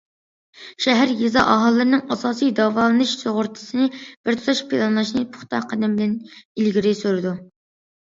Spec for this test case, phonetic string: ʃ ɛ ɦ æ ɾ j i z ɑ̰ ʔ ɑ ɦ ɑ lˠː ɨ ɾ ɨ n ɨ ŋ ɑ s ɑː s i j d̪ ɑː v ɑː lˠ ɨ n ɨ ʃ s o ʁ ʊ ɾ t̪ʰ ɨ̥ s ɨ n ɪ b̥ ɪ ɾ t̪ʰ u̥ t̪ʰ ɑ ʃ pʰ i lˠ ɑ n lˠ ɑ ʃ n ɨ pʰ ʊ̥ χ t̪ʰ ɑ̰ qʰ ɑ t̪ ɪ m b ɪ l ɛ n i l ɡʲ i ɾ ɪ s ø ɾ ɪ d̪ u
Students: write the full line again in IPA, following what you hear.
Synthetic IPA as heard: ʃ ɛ ɦ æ ɾ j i z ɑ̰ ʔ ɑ ɦ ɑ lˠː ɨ ɾ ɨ n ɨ ŋ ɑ s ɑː s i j d̪ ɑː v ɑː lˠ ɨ n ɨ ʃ s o ʁ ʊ ɾ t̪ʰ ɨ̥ s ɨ n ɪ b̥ ɪ ɾ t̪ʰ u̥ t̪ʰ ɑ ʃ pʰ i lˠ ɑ n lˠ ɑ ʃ n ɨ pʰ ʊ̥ χ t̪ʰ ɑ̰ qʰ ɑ d̪ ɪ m b ɪ l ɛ n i l ɡʲ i ɾ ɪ s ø ɾ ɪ d̪ u

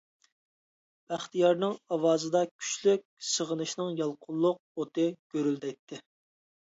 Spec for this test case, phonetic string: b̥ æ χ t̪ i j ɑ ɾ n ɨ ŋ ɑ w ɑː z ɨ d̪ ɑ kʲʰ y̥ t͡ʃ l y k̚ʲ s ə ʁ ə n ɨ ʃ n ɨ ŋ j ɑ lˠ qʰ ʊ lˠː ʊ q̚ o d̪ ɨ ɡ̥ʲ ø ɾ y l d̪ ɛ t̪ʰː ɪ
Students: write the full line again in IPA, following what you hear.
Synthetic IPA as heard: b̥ æ χ t̪ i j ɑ ɾ n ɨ ŋ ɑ w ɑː z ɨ d̪ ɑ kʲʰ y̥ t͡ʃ l y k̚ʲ s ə ʁ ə n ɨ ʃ n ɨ ŋ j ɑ lˠ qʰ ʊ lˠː ʊ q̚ o t̪ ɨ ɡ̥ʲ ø ɾ y l d̪ ɛ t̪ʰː ɪ

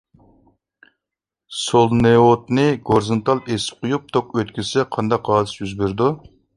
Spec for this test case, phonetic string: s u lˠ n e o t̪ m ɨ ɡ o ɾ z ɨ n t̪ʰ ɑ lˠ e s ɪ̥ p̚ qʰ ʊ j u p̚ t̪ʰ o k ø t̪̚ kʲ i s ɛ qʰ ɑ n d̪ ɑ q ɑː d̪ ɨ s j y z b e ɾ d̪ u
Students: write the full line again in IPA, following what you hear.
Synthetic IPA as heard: s o lˠ n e o t̪ n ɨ ɡ o ɾ z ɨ n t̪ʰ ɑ lˠ e s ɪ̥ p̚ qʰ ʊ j u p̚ t̪ʰ o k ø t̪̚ kʲ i s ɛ qʰ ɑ n d̪ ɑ q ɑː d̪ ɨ s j y z b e ɾ d̪ u

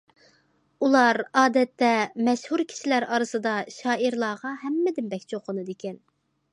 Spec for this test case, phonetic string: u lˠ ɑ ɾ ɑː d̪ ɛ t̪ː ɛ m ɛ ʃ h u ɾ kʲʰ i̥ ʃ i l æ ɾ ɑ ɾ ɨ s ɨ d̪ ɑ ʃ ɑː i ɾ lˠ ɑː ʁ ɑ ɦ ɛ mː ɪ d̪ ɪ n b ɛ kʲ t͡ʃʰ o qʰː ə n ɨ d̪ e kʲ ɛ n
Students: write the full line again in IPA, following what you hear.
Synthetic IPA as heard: u lˠ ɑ ɾ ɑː d̪ ɛ t̪ː ɛ m ɛ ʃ h u ɾ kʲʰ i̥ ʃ i l æ ɾ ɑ ɾ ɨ s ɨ d̪ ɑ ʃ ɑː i ɾ lˠ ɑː ʁ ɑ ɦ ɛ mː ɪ d̪ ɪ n b ɛ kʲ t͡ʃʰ o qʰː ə n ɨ d̪ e kʲ ɛ n

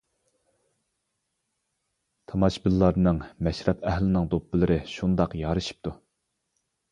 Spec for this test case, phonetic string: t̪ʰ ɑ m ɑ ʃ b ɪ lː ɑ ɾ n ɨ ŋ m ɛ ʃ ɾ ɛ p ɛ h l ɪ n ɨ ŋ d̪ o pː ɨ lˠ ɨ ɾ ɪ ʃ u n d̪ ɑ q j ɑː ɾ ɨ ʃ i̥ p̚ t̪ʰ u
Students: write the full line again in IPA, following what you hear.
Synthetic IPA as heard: t̪ʰ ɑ m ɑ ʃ b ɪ lː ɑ ɾ n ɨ ŋ m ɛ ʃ ɾ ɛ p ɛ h l ɪ n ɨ ŋ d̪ o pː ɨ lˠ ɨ ɾ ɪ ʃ u n d̪ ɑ q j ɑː ɾ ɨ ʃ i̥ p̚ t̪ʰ u

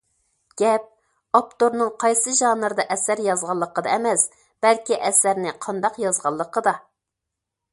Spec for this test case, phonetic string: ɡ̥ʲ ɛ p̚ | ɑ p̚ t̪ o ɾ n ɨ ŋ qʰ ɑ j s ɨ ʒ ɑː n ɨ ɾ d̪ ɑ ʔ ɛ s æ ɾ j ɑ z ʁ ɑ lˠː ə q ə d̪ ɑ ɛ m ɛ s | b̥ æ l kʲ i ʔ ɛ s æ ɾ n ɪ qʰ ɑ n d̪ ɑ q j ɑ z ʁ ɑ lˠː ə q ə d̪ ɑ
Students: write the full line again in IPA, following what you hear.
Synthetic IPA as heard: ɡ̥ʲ ɛ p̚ | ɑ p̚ t̪ o ɾ n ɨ ŋ qʰ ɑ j s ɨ ʒ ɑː n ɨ ɾ d̪ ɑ ʔ ɛ s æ ɾ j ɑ z ʁ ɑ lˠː ə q ə d̪ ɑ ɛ m ɛ s | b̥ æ l kʲ i ʔ ɛ s æ ɾ n ɪ qʰ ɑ n d̪ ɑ q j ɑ z ʁ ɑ lˠː ə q ə d̪ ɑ

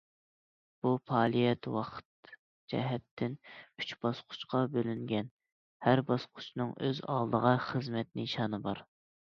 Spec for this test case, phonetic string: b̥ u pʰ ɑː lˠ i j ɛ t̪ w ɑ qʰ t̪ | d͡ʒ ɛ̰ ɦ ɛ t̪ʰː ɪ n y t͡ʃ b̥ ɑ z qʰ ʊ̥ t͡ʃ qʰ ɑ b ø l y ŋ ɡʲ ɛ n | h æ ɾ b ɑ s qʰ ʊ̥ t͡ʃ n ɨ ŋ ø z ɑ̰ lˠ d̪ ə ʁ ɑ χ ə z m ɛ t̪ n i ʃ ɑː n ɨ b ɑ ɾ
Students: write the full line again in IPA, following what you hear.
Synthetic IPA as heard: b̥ u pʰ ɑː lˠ i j ɛ t̪ w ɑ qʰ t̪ | d͡ʒ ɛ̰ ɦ ɛ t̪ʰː ɪ n y t͡ʃ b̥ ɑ s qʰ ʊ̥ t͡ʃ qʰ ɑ b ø l y ŋ ɡʲ ɛ n | h æ ɾ b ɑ s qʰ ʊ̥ t͡ʃ n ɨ ŋ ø z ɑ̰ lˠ d̪ ə ʁ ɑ χ ə z m ɛ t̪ n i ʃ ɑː n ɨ b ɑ ɾ

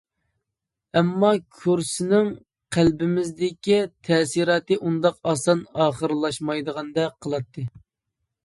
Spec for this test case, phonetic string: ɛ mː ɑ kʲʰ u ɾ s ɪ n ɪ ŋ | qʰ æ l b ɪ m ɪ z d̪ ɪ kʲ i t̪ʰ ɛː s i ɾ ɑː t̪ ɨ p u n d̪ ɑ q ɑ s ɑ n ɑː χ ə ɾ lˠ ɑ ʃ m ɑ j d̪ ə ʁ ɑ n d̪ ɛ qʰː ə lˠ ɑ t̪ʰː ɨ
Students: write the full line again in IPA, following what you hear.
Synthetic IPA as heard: ɛ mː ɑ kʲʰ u ɾ s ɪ n ɪ ŋ | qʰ æ l b ɪ m ɪ z d̪ ɪ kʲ i t̪ʰ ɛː s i ɾ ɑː t̪ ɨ ʔ u n d̪ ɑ q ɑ s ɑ n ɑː χ ə ɾ lˠ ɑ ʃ m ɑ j d̪ ə ʁ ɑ n d̪ ɛ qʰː ə lˠ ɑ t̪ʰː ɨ

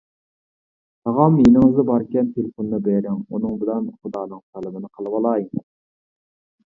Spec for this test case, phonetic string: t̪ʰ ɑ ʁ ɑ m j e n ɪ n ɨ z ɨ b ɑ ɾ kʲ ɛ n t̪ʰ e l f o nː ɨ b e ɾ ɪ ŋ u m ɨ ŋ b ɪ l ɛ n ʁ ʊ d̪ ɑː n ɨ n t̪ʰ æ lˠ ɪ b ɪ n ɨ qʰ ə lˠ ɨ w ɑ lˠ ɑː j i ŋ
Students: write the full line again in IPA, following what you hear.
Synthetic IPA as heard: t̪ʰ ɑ ʁ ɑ m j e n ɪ ŋ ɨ z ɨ b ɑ ɾ kʲ ɛ n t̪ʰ e l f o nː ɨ b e ɾ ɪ ŋ u n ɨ ŋ b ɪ l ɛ n χ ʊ d̪ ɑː n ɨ ŋ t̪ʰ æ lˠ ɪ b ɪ n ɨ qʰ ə lˠ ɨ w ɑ lˠ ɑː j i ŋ

